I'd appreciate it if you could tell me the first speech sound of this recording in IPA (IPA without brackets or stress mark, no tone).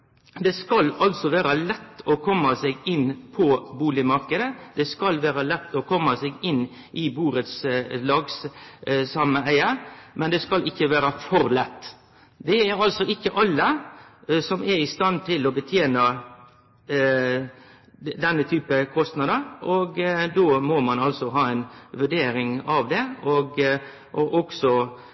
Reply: d̪